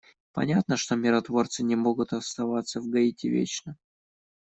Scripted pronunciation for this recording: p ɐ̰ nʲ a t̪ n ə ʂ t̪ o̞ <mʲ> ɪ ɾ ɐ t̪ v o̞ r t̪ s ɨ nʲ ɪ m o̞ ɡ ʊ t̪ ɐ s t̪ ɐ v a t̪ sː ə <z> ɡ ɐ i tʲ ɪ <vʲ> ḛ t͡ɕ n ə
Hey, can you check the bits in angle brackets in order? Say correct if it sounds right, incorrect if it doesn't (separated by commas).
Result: correct, incorrect, correct